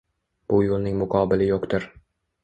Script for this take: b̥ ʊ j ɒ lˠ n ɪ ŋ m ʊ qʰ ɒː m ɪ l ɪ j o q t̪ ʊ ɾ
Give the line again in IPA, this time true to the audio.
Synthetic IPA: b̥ ʊ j o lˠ n ɪ ŋ m ʊ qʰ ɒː b ɪ l ɪ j o q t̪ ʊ ɾ